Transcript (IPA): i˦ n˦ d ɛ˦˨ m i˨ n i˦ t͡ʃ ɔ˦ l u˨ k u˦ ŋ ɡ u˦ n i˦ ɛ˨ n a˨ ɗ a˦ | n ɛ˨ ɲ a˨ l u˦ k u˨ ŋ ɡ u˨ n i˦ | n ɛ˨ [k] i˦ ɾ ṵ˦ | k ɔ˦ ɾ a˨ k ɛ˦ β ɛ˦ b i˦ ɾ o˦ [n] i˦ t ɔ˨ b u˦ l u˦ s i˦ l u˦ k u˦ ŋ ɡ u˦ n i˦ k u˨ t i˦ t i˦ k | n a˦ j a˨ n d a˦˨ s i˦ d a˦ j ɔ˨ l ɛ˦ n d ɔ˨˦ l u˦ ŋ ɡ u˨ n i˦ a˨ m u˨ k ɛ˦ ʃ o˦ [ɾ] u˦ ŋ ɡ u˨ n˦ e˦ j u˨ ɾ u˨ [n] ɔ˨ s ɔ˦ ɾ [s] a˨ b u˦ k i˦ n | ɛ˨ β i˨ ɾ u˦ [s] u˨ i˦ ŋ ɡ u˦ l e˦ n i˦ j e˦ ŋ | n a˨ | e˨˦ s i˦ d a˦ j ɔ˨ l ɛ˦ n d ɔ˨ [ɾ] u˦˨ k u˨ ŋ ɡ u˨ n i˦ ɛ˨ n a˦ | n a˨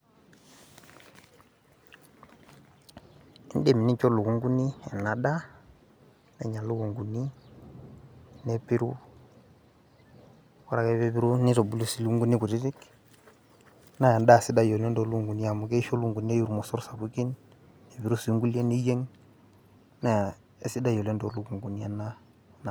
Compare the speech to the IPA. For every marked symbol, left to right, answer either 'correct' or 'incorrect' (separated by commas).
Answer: incorrect, correct, incorrect, incorrect, correct, correct, incorrect